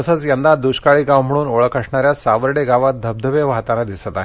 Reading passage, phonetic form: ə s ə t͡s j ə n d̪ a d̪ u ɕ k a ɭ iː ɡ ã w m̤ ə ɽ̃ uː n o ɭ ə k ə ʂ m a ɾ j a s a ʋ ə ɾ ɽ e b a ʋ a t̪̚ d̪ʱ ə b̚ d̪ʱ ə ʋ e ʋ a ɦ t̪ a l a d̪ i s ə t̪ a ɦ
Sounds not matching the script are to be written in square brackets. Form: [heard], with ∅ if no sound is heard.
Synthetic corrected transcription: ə s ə t͡s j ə n d̪ a d̪ u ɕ k a ɭ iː ɡ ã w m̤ ə ɽ̃ uː n o ɭ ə k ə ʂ [ɳ] a ɾ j a s a ʋ ə ɾ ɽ e [ɡ] a ʋ a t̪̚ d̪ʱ ə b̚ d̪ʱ ə ʋ e ʋ a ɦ t̪ a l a d̪ i s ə t̪ a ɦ